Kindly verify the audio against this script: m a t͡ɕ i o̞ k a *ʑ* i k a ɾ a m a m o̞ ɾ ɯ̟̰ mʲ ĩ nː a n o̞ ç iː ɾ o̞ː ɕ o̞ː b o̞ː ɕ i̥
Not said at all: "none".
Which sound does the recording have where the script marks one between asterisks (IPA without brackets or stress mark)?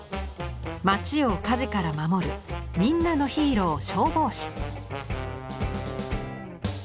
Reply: ʑ